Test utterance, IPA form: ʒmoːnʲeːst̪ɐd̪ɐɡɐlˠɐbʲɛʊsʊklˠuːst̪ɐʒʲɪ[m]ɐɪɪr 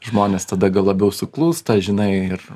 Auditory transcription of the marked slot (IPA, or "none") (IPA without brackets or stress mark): n